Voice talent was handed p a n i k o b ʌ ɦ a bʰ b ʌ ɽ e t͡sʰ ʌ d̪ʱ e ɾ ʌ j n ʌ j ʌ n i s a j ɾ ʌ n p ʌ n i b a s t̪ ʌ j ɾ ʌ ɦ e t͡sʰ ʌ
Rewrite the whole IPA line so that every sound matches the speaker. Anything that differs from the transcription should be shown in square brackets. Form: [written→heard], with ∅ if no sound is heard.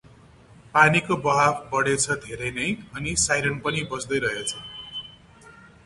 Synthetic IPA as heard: p a n i k o b ʌ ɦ a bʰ b ʌ ɽ e t͡sʰ ʌ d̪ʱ e ɾ ʌ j n ʌ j ʌ n i s a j ɾ ʌ n p ʌ n i b [a→ʌ] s [t̪→d̪] ʌ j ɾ ʌ ɦ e t͡sʰ ʌ